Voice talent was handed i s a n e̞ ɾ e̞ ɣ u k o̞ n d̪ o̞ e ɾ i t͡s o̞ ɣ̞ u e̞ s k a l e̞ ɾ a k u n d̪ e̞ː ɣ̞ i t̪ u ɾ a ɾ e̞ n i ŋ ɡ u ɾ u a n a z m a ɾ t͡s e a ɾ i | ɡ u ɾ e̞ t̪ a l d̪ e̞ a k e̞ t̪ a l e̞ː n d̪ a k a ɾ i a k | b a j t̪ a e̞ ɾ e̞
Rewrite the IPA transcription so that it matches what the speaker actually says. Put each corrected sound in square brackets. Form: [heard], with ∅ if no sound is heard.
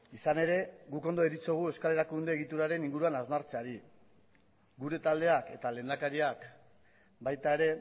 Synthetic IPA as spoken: i s a n e̞ ɾ e̞ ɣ u k o̞ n d̪ o̞ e ɾ i t͡s o̞ ɣ̞ u e̞ s k a l e̞ ɾ a k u n d̪ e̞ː ɣ̞ i t̪ u ɾ a ɾ e̞ n i ŋ ɡ u ɾ u a n a z m a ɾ t͡s e a ɾ i | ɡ u ɾ e̞ t̪ a l d̪ e̞ a k e̞ t̪ a l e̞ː n d̪ a k a ɾ i a k | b a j t̪ a e̞ ɾ e̞